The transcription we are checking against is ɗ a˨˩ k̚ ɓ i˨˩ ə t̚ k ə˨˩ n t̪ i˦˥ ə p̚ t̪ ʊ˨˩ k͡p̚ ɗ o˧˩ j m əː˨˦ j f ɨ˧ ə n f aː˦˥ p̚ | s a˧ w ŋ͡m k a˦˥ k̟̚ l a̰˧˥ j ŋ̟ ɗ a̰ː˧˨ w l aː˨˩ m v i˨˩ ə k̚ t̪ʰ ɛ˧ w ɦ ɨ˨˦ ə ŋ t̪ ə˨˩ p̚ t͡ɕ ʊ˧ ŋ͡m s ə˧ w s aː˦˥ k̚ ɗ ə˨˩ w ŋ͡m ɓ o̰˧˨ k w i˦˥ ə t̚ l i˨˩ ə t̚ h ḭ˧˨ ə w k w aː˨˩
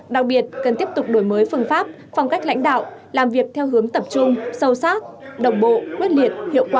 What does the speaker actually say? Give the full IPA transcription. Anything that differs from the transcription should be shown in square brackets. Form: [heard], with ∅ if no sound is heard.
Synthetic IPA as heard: ɗ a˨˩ k̚ ɓ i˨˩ ə t̚ k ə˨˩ n t̪ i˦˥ ə p̚ t̪ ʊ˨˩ k͡p̚ ɗ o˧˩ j m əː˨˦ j f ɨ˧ ə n f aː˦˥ p̚ | [f] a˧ w ŋ͡m k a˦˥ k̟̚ l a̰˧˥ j ŋ̟ ɗ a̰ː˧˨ w l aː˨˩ m v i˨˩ ə k̚ t̪ʰ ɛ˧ w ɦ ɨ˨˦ ə ŋ t̪ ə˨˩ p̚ t͡ɕ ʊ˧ ŋ͡m s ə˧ w s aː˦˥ [t̚] ɗ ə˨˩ w ŋ͡m ɓ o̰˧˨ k w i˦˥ ə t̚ l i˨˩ ə t̚ h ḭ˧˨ ə w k w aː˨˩